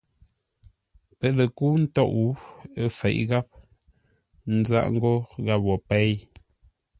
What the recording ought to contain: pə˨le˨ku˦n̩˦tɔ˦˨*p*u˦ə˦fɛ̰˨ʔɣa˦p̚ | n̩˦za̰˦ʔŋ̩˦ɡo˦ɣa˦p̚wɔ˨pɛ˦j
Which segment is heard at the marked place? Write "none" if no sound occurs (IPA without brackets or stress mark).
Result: ʔ